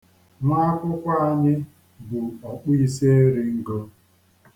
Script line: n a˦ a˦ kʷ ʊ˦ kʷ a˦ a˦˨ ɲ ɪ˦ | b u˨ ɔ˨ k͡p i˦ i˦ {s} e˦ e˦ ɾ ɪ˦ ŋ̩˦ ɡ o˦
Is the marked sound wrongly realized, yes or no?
no